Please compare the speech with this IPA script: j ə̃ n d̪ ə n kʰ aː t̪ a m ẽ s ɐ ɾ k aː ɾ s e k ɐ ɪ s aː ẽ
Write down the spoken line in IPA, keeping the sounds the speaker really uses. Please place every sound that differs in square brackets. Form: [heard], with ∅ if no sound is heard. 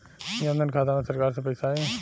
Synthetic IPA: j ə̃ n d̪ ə n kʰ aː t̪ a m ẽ s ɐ ɾ k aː ɾ s e [p] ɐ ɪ s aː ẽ